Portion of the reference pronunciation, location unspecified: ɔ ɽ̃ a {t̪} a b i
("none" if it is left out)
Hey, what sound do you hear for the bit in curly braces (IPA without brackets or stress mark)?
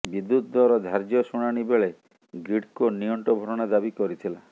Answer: d̪